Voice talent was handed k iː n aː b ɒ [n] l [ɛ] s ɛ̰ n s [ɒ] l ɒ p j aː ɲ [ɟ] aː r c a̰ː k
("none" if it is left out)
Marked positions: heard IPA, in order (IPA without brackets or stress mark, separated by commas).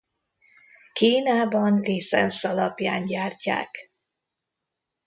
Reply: n, i, ɒ, ɟ